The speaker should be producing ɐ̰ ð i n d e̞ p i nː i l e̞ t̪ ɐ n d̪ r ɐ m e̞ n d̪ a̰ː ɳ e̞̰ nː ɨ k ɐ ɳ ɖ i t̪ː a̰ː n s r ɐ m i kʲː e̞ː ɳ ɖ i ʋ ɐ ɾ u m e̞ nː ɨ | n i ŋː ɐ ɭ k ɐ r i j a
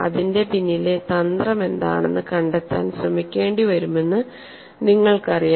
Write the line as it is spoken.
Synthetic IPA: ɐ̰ ð i n d e̞ p i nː i l e̞ t̪ ɐ n d̪ r ɐ m e̞ n d̪ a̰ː ɳ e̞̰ nː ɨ k ɐ ɳ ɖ e t̪ː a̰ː n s r ɐ m i kʲː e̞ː ɳ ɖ i ʋ ɐ ɾ u m e̞ nː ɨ | n i ŋː ɐ ɭ k ɐ r i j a